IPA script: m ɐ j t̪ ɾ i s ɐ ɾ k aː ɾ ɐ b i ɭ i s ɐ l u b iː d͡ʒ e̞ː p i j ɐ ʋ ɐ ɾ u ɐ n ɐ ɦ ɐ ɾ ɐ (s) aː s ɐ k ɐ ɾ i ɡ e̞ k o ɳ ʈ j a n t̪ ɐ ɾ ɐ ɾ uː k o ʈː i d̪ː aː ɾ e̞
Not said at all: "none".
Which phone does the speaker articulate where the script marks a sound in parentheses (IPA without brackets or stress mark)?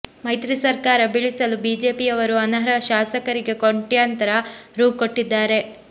ʃ